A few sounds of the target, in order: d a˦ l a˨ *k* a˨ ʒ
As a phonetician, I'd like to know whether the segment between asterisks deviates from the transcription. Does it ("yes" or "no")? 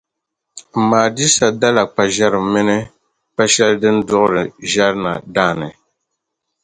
yes